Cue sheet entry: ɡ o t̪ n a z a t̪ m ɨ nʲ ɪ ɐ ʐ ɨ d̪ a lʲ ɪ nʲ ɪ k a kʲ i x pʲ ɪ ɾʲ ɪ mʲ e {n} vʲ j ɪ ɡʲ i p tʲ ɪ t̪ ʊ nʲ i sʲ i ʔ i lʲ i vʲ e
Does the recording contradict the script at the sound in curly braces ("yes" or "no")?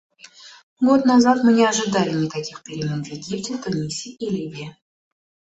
no